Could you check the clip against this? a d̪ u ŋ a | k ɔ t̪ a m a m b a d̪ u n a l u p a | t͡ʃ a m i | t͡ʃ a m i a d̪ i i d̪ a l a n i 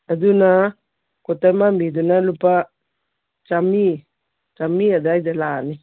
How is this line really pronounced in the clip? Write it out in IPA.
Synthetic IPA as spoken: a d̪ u n a | k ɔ t̪ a m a m b i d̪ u n a l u p a | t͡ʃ a m i | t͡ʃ a m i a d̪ a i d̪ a l a n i

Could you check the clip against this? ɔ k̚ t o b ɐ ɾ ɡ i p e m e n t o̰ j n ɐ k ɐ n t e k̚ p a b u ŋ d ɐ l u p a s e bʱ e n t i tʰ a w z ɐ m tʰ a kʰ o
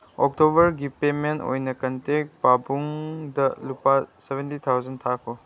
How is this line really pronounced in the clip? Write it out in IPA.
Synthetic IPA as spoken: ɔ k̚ t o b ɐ ɾ ɡ i p e m e n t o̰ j n ɐ k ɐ n t e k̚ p a b u ŋ d ɐ l u p a s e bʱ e n t i tʰ a w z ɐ n tʰ a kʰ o

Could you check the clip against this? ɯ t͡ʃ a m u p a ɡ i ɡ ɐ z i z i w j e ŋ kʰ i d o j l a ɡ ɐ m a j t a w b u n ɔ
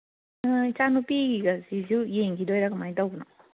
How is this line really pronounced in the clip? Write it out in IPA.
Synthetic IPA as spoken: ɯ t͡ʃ a n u p i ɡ i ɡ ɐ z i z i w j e ŋ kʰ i d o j ɾ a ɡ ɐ m a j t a w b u n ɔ

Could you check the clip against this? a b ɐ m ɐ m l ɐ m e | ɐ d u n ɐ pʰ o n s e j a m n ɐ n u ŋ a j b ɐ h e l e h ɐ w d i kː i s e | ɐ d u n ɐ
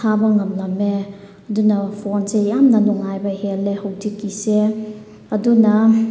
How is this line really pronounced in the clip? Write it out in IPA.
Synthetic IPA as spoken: a b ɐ ŋ ɐ m l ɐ m e | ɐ d u n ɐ pʰ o n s e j a m n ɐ n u ŋ a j b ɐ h e l e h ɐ w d i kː i s e | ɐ d u n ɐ

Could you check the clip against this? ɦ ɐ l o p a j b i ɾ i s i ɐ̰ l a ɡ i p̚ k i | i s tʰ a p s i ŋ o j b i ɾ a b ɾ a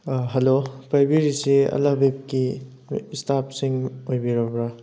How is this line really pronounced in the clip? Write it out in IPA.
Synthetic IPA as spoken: ɦ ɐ l o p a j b i ɾ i s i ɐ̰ l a b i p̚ k i | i s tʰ a p s i ŋ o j b i ɾ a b ɾ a

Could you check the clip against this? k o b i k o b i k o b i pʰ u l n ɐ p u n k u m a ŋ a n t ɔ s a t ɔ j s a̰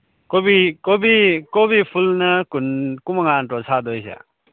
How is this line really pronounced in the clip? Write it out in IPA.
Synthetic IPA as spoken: k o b i k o b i k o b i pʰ u l n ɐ k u n k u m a ŋ a n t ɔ s a d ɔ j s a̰

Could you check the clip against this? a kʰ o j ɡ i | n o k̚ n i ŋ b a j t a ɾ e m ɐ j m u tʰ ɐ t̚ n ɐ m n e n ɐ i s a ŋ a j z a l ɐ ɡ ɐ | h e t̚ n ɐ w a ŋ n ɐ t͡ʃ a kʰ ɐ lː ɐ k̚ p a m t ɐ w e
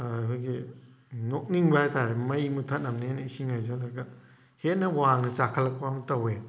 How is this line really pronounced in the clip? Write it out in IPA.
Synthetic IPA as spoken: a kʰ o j ɡ i | n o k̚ n i ŋ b a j t a ɾ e m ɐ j m u tʰ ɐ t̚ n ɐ m n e n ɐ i s i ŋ a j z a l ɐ ɡ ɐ | h e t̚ n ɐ w a ŋ n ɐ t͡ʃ a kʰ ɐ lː ɐ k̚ p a m t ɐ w e

